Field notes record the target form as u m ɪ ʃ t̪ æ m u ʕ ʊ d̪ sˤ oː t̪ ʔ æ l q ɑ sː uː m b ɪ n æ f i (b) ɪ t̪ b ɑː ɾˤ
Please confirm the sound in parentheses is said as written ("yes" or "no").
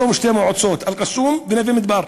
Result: no